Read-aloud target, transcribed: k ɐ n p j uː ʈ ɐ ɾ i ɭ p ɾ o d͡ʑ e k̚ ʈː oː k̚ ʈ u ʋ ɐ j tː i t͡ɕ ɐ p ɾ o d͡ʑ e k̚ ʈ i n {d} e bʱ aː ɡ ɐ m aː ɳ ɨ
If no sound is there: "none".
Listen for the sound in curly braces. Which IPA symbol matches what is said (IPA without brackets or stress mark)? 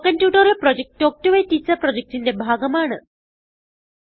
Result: d